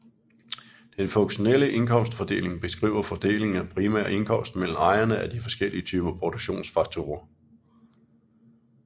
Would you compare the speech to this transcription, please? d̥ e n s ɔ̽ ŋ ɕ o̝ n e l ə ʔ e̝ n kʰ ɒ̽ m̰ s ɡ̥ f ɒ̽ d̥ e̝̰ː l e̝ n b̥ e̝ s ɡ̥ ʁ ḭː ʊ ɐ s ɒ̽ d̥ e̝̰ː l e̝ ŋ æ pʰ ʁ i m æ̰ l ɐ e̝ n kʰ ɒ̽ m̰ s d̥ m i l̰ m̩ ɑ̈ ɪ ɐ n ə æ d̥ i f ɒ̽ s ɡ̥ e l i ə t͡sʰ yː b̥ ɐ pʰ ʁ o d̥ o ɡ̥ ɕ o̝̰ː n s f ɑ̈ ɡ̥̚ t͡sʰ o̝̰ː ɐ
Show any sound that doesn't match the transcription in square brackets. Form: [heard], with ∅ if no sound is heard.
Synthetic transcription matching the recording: d̥ e n [f] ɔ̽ ŋ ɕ o̝ n e l ə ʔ e̝ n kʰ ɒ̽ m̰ s [d̥] f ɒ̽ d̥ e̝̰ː l e̝ [ŋ] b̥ e̝ s ɡ̥ ʁ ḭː ʊ ɐ [f] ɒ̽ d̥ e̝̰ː l e̝ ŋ æ pʰ ʁ i m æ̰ [∅] ɐ e̝ n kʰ ɒ̽ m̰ s d̥ m [e] l̰ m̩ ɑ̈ ɪ ɐ n ə æ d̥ i f ɒ̽ s ɡ̥ e l i ə t͡sʰ yː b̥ ɐ pʰ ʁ o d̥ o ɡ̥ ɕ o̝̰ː n s f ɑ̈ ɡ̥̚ t͡sʰ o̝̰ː ɐ

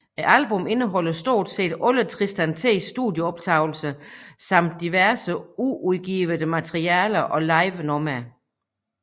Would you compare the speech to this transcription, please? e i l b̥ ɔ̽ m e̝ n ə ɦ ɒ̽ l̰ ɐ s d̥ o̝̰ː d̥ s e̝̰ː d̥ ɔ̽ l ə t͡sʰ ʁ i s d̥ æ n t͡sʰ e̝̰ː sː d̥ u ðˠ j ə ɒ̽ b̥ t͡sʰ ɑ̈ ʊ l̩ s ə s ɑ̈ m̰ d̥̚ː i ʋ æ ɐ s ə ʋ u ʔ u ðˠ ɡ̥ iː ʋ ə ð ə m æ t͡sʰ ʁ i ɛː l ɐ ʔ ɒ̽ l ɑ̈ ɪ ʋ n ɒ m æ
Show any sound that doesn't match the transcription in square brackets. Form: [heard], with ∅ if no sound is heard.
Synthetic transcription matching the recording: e [æ] l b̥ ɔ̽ m e̝ n ə ɦ ɒ̽ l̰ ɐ s d̥ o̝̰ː d̥ s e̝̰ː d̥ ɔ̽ l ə t͡sʰ ʁ i s d̥ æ n t͡sʰ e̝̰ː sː d̥ u ðˠ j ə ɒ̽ b̥ t͡sʰ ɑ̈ ʊ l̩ s ə s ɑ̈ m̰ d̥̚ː i ʋ æ ɐ s ə [∅] u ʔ u ðˠ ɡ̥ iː ʋ ə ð ə m æ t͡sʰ ʁ i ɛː l ɐ ʔ ɒ̽ l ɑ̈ ɪ ʋ n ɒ m æ

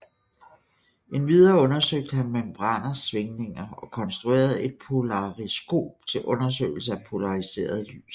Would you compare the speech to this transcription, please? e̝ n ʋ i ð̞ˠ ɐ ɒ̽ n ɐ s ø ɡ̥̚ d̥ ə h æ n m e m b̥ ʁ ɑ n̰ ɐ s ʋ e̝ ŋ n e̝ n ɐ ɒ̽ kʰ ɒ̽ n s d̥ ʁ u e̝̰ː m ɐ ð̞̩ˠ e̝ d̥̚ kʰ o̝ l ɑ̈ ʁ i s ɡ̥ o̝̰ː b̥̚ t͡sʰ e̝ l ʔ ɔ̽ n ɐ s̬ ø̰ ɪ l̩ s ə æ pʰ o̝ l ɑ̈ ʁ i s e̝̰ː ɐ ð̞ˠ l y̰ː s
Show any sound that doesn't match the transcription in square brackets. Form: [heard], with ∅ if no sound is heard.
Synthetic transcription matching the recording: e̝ n ʋ i ð̞ˠ ɐ [ɔ̽] n ɐ s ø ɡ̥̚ d̥ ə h æ n m e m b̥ ʁ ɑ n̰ ɐ s ʋ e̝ ŋ n e̝ [ŋ] ɐ ɒ̽ kʰ ɒ̽ n s d̥ ʁ u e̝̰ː [∅] ɐ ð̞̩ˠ e̝ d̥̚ [pʰ] o̝ l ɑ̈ ʁ i s ɡ̥ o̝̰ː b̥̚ t͡sʰ e̝ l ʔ ɔ̽ n ɐ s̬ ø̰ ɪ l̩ s ə æ pʰ o̝ l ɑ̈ ʁ i s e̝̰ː ɐ ð̞ˠ l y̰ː s

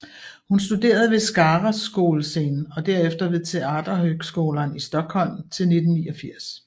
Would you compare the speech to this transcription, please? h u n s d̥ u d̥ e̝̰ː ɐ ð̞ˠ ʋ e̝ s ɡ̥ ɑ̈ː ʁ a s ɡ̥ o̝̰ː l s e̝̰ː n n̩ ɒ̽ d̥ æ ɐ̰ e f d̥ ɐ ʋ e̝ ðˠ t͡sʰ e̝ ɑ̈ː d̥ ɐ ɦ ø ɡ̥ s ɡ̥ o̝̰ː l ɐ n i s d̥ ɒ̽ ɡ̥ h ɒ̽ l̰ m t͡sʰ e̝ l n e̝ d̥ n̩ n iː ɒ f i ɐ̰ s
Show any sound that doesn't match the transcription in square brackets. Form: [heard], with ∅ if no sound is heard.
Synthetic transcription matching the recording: h u n s d̥ u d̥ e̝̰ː ɐ ð̞ˠ ʋ e̝ s ɡ̥ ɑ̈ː ʁ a s ɡ̥ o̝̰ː l s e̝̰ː n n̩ ɒ̽ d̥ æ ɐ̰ e f d̥ ɐ ʋ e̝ ðˠ t͡sʰ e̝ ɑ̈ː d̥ ɐ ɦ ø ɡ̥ s ɡ̥ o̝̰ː l ɐ n i s d̥ ɒ̽ ɡ̥ h ɒ̽ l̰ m t͡sʰ e̝ l n e̝ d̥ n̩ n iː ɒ f i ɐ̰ s

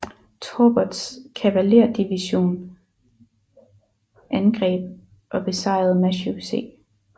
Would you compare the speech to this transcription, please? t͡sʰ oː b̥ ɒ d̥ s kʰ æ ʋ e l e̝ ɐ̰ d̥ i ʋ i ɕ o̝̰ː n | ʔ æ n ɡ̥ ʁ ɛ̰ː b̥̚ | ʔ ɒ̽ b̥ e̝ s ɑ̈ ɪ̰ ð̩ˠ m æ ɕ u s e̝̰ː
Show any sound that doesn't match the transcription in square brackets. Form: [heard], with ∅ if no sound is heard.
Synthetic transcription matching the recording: t͡sʰ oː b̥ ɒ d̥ s kʰ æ ʋ [æ] l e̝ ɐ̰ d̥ i ʋ i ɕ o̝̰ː n | ʔ æ n ɡ̥ ʁ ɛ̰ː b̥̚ | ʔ ɒ̽ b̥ e̝ s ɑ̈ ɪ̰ ð̩ˠ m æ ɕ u s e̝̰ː

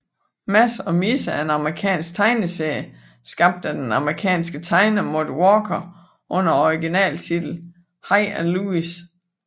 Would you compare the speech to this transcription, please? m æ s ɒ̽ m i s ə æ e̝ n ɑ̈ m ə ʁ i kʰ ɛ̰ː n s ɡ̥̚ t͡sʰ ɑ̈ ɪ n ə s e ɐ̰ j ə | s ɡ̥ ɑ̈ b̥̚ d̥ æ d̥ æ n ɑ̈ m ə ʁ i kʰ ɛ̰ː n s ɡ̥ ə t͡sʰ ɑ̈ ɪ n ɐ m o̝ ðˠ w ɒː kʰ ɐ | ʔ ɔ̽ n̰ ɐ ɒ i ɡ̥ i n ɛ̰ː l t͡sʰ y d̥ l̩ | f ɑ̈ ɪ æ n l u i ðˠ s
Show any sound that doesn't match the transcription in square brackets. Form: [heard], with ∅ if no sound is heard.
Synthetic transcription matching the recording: m æ s ɒ̽ m i s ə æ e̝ n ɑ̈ m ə ʁ i kʰ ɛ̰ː n s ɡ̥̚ t͡sʰ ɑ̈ ɪ n ə s e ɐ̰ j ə | s ɡ̥ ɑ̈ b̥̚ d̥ æ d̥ [e] n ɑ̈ m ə ʁ i kʰ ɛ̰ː n s ɡ̥ ə t͡sʰ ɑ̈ ɪ n ɐ m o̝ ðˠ w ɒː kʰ ɐ | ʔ ɔ̽ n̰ ɐ ɒ i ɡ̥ i n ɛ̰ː l t͡sʰ [i] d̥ l̩ | [h] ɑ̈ ɪ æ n l u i [∅] s

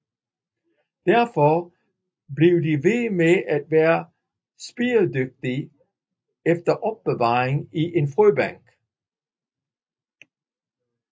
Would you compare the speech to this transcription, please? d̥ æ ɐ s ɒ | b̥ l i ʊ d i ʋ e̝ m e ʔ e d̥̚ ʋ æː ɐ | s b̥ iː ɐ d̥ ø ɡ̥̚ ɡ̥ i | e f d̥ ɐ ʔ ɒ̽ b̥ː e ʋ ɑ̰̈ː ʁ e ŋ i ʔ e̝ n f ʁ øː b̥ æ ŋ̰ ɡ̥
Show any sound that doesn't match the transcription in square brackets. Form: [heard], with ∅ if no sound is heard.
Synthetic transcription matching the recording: d̥ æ ɐ [f] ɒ | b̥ l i ʊ d i ʋ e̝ m e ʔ [æ] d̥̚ ʋ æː ɐ | s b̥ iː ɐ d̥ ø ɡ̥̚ [d̥] i | e f d̥ ɐ ʔ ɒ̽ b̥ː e ʋ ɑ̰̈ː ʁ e ŋ i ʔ e̝ n f ʁ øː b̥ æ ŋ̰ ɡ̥

